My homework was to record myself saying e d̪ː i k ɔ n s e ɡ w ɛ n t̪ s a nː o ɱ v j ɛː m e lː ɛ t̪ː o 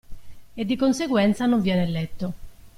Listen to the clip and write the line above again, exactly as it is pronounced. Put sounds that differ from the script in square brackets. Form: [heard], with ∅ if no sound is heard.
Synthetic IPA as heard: e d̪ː i k [o] n s e ɡ w ɛ n t̪ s a [n] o ɱ v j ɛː [n] e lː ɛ t̪ː o